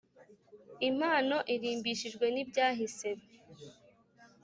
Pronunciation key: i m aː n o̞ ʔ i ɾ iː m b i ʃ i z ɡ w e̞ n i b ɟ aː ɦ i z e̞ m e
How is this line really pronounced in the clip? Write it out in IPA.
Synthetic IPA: i m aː n o̞ ʔ i ɾ iː m b i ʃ i ʒ ɡ w e̞ n i b ɟ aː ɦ i s e̞ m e